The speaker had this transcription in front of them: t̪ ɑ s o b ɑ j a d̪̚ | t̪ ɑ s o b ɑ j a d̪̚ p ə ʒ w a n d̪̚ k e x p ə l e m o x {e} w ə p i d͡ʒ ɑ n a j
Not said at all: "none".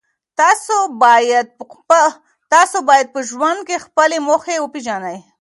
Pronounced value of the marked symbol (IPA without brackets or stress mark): e